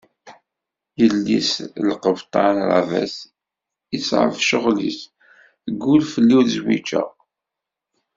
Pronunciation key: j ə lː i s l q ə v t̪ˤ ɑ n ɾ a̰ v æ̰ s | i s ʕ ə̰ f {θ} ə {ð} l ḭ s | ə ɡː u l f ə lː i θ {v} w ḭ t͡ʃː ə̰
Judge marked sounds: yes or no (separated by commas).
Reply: no, no, no